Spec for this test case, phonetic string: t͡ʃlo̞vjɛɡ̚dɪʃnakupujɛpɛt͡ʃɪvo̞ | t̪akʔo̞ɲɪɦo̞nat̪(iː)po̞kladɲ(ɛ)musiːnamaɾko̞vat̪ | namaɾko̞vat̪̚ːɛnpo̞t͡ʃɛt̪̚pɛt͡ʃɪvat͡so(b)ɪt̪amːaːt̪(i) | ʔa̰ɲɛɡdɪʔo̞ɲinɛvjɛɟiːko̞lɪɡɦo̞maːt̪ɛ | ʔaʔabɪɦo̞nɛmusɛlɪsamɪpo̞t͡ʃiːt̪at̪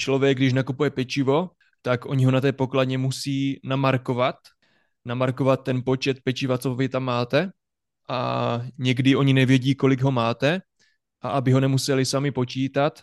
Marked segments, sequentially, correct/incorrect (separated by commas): incorrect, correct, incorrect, incorrect